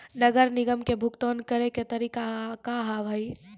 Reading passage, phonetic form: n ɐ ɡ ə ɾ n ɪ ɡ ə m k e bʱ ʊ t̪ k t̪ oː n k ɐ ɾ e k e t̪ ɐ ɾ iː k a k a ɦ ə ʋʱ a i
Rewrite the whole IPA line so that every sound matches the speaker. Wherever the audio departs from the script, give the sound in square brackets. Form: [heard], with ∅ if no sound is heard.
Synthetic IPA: n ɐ ɡ ə ɾ n ɪ ɡ ə m k e bʱ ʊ [∅] k t̪ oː n k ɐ ɾ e k e t̪ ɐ ɾ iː k a k a ɦ [a] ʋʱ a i